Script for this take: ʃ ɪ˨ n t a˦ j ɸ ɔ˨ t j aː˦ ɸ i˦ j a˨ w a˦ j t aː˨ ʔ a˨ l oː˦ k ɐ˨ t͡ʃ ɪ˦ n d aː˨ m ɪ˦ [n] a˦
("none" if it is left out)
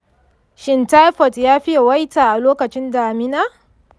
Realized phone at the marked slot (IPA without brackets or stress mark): n